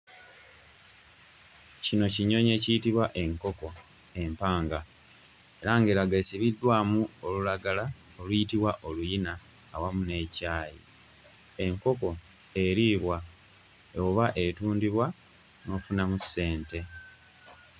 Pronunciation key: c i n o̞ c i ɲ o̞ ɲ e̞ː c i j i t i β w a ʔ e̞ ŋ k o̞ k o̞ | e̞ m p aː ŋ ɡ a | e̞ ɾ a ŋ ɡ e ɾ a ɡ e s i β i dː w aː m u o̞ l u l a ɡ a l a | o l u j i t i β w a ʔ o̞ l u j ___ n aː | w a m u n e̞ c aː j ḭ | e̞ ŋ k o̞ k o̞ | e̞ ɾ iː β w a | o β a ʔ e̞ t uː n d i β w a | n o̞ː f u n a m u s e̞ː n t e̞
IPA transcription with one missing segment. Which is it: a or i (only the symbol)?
i